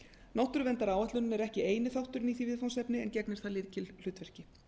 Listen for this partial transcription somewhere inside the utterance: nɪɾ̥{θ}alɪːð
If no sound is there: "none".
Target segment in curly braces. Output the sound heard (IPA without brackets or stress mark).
θ